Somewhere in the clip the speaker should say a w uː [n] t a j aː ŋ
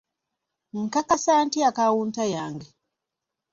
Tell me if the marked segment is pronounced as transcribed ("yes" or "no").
yes